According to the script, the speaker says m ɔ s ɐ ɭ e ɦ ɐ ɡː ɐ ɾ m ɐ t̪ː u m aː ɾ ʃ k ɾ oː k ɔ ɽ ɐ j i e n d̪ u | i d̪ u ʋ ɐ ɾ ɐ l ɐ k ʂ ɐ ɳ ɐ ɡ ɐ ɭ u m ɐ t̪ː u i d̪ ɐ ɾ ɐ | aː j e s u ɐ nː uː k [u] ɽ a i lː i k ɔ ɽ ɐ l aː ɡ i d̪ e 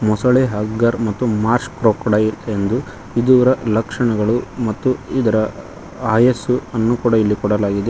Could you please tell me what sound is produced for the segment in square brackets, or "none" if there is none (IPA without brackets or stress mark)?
uː